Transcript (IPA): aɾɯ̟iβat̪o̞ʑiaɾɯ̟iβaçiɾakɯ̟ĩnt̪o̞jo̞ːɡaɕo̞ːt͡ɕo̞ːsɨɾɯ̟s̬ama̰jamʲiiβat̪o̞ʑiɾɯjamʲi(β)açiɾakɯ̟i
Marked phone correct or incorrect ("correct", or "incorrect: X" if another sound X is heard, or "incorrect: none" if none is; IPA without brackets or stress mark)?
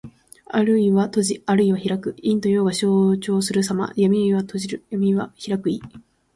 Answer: correct